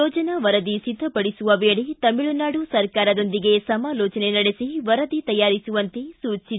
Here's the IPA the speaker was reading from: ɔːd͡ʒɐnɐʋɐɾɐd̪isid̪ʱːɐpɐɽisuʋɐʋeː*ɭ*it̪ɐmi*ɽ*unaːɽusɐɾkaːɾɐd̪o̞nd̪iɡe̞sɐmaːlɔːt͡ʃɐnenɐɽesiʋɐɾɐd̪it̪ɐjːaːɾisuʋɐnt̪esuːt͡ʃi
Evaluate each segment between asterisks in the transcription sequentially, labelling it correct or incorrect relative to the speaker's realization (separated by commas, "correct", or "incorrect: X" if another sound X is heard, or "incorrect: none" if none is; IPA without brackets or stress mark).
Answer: correct, incorrect: ɭ